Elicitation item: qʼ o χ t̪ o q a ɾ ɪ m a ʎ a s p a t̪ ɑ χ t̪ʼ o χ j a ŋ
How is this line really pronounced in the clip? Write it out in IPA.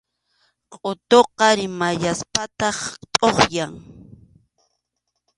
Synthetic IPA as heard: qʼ o t̪ o q ɑ ɾ ɪ m a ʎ a s p a t̪ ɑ χ t̪ʼ o χ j a ŋ

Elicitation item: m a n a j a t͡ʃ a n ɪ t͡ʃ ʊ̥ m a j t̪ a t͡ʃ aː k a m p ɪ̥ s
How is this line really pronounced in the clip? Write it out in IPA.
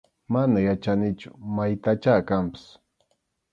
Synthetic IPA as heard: m a n a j a t͡ʃ a n ɪ t͡ʃ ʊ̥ m a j t̪ a t͡ʃ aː k a m p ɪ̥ s

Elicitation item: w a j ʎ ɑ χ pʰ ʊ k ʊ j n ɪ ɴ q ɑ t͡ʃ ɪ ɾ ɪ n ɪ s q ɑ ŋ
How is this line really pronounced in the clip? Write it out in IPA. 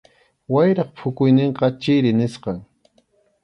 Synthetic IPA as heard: w a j ɾ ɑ χ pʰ ʊ k ʊ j n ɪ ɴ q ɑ t͡ʃ ɪ ɾ ɪ n ɪ s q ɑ ŋ

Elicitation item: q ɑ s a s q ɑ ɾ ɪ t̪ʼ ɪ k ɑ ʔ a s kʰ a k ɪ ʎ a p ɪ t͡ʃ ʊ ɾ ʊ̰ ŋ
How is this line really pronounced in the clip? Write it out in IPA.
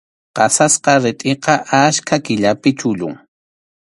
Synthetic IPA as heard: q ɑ s a s q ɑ ɾ ɪ t̪ʼ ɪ q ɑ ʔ a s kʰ a k ɪ ʎ a p ɪ t͡ʃ ʊ ʎ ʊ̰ ŋ

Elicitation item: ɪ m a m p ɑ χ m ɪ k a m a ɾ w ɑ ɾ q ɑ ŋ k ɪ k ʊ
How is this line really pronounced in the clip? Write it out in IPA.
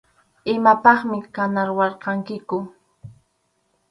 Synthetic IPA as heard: ɪ m a p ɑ χ m ɪ k a n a ɾ w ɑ ɾ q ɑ ŋ k ɪ k ʊ

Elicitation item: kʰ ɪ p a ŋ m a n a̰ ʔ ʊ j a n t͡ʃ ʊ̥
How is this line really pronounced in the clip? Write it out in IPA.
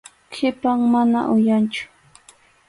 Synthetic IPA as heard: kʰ ɪ p a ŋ m a n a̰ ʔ ʊ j a n t͡ʃ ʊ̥

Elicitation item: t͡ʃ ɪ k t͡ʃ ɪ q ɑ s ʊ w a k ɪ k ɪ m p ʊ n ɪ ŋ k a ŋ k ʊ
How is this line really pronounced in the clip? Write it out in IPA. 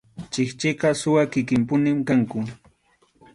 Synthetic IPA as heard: t͡ʃ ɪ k t͡ʃ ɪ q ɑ s ʊ w a k ɪ k ɪ m p ʊ n ɪ m k a ŋ k ʊ

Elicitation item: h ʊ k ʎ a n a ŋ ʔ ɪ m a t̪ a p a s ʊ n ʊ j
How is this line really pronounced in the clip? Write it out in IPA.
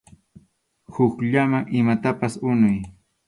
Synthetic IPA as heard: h ʊ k ʎ a m a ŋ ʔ ɪ m a t̪ a p a s ʊ n ʊ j

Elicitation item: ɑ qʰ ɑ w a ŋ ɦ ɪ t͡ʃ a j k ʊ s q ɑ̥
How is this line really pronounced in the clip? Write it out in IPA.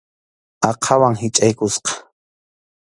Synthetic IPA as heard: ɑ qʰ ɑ w a ŋ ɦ ɪ t͡ʃʼ a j k ʊ s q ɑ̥

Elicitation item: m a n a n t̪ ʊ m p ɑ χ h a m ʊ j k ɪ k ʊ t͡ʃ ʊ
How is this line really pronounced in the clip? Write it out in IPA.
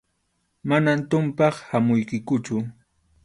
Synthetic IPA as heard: m a n a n t̪ ʊ m p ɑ χ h a m ʊ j k ɪ k ʊ t͡ʃ ʊ

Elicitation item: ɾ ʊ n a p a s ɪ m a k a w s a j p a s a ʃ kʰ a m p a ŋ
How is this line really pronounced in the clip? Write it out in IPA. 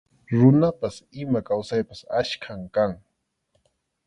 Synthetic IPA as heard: ɾ ʊ n a p a s ɪ m a k a w s a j p a s a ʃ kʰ a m k a ŋ

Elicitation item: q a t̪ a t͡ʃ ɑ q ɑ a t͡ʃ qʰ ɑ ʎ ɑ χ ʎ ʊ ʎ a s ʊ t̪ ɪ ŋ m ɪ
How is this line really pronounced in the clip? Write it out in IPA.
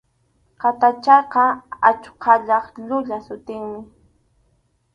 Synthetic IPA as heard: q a t̪ a t͡ʃ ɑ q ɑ a t͡ʃ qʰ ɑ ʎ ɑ χ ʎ ʊ ʎ a s ʊ t̪ ɪ ŋ m ɪ

